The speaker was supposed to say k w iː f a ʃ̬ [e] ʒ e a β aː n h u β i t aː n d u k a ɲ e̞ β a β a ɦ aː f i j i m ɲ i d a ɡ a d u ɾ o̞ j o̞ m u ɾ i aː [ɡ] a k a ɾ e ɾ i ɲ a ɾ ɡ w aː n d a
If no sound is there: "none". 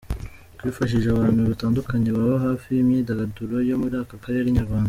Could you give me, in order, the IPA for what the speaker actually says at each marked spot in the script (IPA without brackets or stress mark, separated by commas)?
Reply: i, k